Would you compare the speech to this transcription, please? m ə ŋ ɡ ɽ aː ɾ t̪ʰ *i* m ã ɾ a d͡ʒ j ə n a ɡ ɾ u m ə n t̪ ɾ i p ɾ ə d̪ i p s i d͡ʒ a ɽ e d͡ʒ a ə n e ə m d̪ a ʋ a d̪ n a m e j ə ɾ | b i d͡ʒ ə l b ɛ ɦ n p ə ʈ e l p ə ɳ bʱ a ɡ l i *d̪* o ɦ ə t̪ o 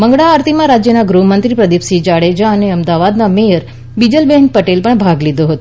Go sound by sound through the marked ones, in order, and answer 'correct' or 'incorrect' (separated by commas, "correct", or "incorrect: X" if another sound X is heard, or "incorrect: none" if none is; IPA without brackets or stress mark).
correct, correct